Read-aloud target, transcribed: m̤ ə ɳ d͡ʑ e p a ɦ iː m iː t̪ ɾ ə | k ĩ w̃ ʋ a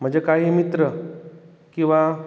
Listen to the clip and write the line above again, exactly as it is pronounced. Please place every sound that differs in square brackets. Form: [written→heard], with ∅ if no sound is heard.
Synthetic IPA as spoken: m̤ ə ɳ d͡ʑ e [p→k] a ɦ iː m [iː→i] t̪ ɾ ə | k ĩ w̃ ʋ a